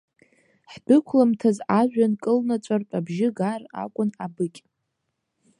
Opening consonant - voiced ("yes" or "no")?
no